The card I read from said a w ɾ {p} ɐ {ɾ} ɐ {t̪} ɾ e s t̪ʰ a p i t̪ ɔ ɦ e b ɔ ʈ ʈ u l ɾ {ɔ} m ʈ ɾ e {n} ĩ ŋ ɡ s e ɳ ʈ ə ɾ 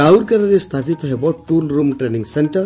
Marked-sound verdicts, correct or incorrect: incorrect, correct, incorrect, incorrect, correct

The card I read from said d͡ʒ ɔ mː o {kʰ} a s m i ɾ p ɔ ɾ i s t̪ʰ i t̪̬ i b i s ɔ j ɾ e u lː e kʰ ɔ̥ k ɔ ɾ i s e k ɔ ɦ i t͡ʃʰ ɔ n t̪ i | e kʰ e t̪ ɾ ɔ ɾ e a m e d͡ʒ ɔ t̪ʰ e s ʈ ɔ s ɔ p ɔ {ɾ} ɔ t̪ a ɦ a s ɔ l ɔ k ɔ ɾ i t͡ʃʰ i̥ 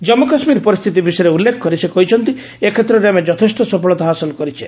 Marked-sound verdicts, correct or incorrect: incorrect, incorrect

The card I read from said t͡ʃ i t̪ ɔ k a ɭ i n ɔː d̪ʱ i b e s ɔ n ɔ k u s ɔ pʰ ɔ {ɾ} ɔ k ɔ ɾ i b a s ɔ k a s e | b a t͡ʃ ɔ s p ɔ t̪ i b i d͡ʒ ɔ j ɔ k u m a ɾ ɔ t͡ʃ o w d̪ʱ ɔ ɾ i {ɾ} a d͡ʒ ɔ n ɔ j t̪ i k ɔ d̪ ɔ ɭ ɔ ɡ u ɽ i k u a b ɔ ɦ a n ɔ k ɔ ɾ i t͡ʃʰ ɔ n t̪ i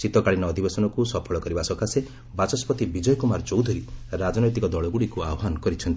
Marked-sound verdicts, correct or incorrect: incorrect, correct

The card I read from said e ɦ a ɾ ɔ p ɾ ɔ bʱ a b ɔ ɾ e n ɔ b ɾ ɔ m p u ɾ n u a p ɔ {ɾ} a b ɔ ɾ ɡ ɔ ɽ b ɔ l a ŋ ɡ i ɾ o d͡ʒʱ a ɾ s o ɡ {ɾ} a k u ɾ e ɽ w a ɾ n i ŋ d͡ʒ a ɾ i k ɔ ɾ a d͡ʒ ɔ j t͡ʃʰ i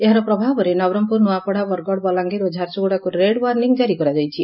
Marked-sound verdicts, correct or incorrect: incorrect, incorrect

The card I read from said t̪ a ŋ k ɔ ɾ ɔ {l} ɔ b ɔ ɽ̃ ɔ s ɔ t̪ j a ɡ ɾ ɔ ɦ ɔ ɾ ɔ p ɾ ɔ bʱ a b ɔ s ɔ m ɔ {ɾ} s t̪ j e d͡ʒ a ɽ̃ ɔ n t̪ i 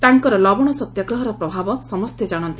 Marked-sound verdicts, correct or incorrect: correct, incorrect

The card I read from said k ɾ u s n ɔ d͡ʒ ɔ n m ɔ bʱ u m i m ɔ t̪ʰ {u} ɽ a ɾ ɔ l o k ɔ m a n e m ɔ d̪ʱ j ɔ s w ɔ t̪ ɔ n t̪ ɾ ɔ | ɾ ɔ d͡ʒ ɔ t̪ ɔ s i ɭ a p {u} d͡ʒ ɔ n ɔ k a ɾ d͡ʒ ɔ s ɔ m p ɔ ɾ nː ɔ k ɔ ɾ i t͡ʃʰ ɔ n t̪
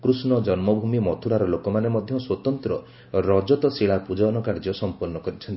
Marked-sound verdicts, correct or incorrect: correct, correct

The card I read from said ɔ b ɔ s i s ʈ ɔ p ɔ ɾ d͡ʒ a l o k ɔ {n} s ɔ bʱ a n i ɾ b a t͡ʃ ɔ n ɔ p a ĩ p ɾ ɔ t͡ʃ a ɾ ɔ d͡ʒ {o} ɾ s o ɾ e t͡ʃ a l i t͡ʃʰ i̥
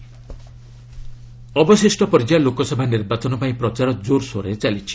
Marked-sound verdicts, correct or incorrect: incorrect, correct

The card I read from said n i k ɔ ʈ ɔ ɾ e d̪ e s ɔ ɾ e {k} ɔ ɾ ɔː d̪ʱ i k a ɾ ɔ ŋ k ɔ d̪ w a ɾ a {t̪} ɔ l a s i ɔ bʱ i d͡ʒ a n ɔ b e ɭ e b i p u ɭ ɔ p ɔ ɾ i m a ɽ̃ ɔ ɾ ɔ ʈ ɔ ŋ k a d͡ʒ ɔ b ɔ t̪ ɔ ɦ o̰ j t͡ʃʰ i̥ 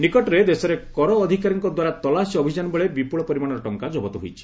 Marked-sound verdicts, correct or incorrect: correct, correct

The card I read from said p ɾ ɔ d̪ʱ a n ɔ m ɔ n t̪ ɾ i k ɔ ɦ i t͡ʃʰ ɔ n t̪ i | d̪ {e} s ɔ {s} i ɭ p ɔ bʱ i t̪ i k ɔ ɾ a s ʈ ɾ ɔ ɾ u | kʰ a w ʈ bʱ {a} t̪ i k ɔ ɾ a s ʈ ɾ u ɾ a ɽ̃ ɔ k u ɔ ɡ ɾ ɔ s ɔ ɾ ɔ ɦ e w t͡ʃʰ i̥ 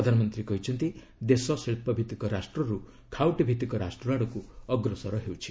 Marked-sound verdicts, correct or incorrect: correct, correct, incorrect

